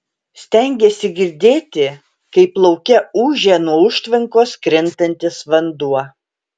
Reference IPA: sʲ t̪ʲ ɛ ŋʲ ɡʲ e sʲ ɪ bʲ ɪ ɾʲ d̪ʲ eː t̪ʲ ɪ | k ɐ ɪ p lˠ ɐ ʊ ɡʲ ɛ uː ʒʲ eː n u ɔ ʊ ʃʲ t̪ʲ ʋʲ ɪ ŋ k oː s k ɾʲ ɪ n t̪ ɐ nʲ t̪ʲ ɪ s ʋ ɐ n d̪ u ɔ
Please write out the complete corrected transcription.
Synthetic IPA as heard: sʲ t̪ʲ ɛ ŋʲ ɡʲ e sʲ ɪ ɡʲ ɪ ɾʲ d̪ʲ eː t̪ʲ ɪ | k ɐ ɪ p lˠ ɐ ʊ kʲ ɛ uː ʒʲ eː n u ɔ ʊ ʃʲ t̪ʲ ʋʲ ɪ ŋ k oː s k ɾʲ ɪ n t̪ ɐ nʲ t̪ʲ ɪ s ʋ ɐ n d̪ u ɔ